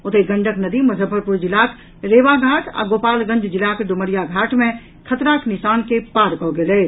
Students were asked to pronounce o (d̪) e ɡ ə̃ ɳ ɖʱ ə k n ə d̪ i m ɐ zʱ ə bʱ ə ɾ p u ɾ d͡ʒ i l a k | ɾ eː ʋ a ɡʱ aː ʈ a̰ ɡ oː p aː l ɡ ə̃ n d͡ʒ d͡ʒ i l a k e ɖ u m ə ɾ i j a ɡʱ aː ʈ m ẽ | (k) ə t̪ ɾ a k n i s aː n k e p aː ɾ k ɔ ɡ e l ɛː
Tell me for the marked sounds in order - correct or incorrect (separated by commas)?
incorrect, incorrect